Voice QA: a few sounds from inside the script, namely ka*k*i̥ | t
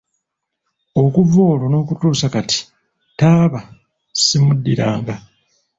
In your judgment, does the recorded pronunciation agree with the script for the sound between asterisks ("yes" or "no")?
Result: no